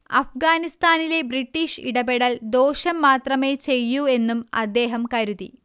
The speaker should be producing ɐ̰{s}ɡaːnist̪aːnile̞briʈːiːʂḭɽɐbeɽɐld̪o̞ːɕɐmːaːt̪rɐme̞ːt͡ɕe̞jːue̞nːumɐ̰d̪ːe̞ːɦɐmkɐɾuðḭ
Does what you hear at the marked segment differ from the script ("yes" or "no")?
yes